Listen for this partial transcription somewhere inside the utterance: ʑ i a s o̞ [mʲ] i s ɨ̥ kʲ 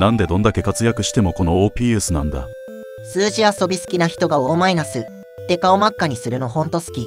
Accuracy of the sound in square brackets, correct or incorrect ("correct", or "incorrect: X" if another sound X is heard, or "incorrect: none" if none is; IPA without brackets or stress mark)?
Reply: incorrect: bʲ